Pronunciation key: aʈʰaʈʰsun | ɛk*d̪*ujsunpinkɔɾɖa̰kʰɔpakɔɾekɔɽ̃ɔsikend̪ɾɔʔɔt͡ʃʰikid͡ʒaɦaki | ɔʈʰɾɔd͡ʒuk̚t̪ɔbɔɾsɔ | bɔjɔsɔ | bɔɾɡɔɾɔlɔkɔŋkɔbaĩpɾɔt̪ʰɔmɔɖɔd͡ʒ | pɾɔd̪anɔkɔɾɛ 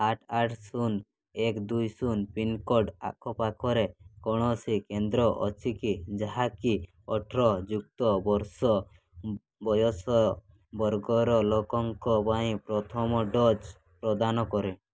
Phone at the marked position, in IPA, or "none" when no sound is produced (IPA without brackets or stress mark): d̪